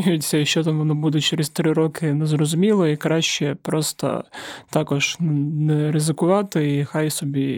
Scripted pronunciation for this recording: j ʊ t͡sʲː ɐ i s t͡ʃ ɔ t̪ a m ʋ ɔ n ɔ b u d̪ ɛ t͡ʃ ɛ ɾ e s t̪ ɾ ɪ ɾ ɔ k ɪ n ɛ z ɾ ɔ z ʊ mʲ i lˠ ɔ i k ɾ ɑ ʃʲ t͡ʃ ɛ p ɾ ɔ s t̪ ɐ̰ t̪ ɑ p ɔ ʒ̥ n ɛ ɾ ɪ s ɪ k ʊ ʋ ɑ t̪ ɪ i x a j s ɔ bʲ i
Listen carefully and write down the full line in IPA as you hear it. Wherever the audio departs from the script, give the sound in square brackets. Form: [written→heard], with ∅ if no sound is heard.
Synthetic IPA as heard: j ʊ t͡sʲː ɐ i [s→ʃ] t͡ʃ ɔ t̪ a m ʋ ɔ n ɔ b u d̪ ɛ t͡ʃ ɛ ɾ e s t̪ ɾ ɪ ɾ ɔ k ɪ n ɛ z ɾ ɔ z ʊ mʲ i lˠ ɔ i k ɾ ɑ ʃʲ t͡ʃ ɛ p ɾ ɔ s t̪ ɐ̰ t̪ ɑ [p→k] ɔ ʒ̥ n ɛ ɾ ɪ [s→z] ɪ k ʊ ʋ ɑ t̪ ɪ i x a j s ɔ bʲ i